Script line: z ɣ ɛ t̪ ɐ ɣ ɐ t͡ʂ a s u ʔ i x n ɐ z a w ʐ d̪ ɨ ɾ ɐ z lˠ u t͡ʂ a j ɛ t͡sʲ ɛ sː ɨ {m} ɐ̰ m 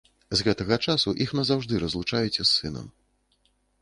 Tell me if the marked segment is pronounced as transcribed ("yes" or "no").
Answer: no